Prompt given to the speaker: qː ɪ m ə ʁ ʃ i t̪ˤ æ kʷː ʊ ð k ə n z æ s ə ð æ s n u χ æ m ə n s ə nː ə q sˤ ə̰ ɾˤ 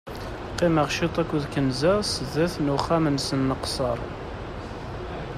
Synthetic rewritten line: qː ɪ m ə ʁ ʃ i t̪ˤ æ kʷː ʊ ð k ə n z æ s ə ð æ θ n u χ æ m ə n s ə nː ə q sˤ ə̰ ɾˤ